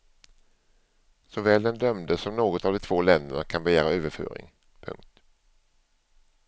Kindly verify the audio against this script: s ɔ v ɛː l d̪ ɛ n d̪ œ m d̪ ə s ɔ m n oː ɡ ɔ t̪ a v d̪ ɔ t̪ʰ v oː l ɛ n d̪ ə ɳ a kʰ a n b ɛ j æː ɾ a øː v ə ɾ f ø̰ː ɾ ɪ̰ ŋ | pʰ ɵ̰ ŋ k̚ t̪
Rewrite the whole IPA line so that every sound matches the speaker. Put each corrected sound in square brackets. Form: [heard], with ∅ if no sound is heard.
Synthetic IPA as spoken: s ɔ v ɛː l d̪ ɛ n d̪ œ m d̪ ə s ɔ m n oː ɡ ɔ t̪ a v d̪ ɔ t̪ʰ v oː l ɛ n d̪ ə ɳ a kʰ a n b ɛ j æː ɾ a øː v ə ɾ f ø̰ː ɾ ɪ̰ ŋ | pʰ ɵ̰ ŋ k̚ t̪